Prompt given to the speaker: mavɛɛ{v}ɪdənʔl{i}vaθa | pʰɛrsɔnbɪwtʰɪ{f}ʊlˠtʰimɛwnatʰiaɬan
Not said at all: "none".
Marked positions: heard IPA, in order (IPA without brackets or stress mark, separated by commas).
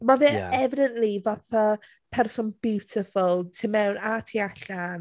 v, i, f